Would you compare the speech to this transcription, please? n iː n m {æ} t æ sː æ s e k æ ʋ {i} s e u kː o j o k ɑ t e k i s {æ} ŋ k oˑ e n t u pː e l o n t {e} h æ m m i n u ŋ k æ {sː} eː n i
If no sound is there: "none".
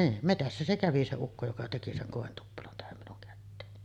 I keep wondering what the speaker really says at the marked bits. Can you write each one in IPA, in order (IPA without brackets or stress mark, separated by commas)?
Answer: e, i, e, æ, tː